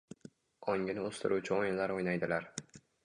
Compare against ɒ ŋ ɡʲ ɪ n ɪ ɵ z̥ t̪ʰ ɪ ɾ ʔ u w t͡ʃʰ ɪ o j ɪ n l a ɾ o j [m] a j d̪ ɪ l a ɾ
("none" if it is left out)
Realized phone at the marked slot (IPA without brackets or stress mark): n